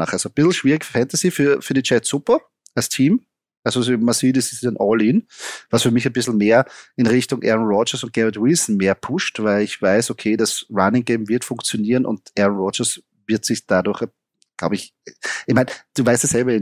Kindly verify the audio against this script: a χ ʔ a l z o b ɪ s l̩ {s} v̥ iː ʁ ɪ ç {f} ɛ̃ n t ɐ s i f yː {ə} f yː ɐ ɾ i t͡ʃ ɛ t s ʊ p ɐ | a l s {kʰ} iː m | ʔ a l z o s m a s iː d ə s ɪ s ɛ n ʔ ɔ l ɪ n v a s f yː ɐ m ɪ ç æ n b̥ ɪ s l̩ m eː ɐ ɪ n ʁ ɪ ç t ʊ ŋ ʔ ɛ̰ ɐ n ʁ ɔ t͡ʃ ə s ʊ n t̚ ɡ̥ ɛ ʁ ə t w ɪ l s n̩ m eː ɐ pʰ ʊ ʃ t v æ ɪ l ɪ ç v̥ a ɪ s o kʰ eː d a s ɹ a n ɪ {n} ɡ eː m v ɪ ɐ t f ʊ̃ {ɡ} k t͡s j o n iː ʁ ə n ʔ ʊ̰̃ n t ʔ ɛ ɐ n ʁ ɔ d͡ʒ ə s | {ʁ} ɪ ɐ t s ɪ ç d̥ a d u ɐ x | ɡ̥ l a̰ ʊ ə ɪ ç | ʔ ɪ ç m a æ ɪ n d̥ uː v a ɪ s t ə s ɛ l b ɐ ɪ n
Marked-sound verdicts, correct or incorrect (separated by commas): incorrect, correct, incorrect, incorrect, incorrect, incorrect, incorrect